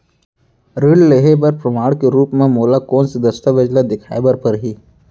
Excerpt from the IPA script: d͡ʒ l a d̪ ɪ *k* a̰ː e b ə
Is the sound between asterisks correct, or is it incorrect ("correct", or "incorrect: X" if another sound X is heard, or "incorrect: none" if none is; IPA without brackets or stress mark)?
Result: incorrect: kʰ